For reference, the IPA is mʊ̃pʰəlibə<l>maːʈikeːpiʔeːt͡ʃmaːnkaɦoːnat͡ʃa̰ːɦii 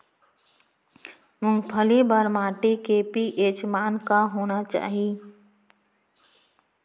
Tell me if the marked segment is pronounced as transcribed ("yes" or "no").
no